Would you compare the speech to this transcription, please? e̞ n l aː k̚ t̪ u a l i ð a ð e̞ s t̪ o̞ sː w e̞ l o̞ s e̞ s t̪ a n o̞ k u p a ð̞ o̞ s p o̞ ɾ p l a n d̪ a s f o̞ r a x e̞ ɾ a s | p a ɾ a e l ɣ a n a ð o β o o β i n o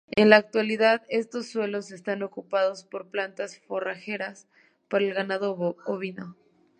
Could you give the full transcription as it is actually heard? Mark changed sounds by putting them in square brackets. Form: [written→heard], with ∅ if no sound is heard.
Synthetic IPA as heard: e̞ n l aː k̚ t̪ [u→w] a l i ð a ð e̞ s t̪ o̞ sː w e̞ l o̞ s e̞ s t̪ a n o̞ k u p a ð̞ o̞ s p o̞ ɾ p l a n [d̪→t̪] a s f o̞ r a x e̞ ɾ a s | p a ɾ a e l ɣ a n a ð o β o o β i n o